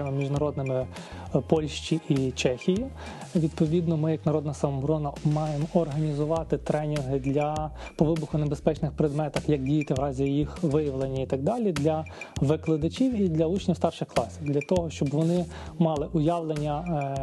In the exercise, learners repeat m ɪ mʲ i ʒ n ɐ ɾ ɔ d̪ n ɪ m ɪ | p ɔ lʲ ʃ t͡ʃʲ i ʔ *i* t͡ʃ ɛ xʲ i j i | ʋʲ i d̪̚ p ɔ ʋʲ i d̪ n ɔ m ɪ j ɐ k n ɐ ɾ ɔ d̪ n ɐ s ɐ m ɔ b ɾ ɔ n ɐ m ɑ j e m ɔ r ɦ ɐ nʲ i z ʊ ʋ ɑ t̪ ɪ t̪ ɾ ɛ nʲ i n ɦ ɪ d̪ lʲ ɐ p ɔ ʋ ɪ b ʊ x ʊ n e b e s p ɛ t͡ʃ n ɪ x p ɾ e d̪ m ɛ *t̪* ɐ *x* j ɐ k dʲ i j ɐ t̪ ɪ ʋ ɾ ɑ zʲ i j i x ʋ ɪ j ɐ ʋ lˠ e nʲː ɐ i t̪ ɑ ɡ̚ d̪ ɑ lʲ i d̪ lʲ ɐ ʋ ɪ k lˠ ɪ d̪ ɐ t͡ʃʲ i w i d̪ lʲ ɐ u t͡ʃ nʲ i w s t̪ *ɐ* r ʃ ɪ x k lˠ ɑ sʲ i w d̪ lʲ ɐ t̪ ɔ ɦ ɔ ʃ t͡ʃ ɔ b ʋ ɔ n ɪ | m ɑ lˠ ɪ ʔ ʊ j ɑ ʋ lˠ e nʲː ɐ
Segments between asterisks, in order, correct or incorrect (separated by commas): correct, correct, correct, incorrect